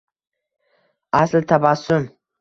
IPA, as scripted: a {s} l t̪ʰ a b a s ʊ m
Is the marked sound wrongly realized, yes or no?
no